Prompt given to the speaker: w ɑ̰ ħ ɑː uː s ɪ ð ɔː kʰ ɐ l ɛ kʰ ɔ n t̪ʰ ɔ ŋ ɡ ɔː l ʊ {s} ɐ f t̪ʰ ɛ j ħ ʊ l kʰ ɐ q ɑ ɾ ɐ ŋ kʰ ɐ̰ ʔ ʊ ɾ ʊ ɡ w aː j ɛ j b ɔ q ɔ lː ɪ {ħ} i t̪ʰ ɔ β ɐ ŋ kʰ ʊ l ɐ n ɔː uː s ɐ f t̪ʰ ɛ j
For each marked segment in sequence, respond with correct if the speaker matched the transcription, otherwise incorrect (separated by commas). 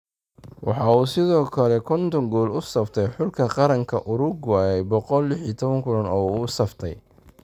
correct, correct